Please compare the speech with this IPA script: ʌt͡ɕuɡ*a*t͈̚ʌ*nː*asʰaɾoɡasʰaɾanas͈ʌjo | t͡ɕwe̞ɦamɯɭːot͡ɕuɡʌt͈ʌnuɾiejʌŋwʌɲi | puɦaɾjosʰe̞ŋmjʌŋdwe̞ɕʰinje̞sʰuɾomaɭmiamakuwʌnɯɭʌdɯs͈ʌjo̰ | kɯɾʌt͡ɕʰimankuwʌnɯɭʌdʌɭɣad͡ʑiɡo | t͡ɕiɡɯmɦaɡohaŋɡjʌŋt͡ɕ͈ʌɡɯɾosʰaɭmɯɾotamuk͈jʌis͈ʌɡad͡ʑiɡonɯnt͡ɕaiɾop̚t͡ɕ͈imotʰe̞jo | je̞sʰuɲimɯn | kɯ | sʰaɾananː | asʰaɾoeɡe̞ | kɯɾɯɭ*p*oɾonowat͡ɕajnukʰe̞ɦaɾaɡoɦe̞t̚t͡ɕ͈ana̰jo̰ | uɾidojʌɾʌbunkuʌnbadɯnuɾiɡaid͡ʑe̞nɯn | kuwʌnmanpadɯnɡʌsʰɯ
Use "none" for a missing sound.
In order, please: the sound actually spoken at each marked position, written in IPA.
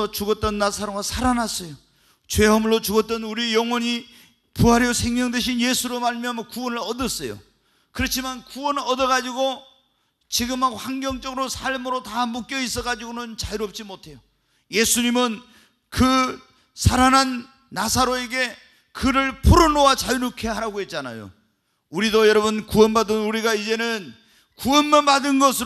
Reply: ʌ, nː, pʰ

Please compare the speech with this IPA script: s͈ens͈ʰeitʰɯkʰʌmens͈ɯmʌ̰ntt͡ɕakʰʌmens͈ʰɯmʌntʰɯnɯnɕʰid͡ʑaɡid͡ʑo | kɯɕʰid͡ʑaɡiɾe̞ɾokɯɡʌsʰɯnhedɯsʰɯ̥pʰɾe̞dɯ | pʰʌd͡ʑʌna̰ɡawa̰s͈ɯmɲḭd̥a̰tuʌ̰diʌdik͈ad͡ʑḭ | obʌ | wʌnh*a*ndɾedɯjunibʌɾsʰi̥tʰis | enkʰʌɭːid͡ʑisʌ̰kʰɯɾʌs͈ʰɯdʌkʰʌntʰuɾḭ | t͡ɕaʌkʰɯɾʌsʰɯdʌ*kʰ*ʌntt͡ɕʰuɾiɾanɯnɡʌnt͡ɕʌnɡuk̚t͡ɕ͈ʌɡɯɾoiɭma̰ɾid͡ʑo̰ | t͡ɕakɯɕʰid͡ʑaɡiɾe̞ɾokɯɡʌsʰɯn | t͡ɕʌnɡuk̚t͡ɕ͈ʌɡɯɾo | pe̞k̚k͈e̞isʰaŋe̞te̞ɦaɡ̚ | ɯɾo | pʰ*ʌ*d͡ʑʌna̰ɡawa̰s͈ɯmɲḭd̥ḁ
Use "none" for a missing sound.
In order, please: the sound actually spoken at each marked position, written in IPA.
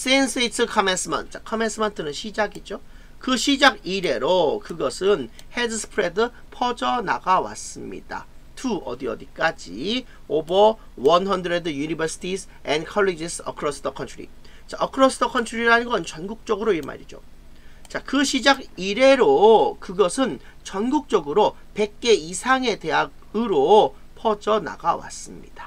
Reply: ʌ, kʰ, ʌ

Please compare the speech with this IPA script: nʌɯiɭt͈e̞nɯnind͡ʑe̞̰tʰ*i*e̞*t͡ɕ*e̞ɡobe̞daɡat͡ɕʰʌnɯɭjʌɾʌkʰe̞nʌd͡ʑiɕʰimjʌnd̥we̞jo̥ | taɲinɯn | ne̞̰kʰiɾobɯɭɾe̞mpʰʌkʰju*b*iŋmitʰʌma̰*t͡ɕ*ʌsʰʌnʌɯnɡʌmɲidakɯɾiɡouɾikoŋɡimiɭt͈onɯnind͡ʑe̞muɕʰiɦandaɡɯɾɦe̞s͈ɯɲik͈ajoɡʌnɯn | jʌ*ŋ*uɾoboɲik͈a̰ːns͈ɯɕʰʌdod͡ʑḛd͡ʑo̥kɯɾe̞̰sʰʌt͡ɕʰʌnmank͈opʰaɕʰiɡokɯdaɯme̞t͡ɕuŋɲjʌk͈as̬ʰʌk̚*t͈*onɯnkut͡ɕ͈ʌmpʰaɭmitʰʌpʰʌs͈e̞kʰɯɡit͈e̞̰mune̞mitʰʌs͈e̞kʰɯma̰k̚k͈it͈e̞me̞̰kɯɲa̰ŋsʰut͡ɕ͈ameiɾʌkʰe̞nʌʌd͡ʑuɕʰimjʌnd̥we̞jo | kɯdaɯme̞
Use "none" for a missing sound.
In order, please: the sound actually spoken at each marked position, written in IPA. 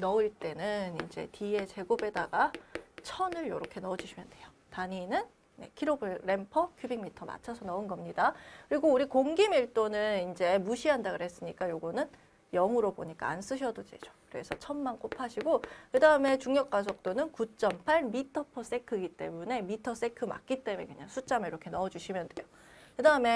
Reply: i, t͡ɕ, b, t͡ɕʰ, ŋ, t͈

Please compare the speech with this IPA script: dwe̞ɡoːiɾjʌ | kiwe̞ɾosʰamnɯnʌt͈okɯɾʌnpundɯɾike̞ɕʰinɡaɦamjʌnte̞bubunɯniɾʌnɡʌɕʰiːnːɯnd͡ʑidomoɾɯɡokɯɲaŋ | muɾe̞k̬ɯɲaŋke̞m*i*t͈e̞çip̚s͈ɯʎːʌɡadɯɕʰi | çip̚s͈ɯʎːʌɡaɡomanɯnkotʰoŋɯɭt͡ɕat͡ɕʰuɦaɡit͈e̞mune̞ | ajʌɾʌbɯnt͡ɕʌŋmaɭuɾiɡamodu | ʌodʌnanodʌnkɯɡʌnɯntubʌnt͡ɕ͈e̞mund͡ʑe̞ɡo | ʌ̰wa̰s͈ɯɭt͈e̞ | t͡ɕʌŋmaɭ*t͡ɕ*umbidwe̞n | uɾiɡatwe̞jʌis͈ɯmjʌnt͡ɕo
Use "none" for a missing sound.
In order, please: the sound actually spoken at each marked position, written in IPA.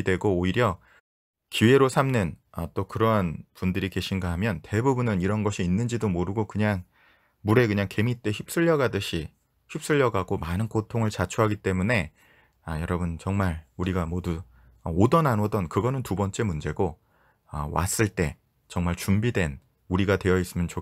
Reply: i, t͡ɕ

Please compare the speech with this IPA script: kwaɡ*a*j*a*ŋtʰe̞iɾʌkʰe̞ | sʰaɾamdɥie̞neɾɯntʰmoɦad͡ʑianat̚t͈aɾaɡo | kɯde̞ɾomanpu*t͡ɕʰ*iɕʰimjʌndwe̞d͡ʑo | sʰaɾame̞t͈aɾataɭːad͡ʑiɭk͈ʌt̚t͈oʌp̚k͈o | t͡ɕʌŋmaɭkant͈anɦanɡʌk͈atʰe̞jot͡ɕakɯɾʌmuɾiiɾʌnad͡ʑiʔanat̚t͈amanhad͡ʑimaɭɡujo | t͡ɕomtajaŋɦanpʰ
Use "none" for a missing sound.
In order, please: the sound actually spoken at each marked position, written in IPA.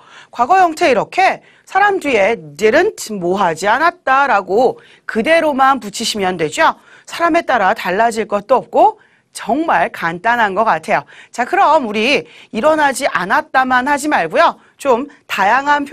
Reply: ʌ, ʌ, t͡ɕʰ

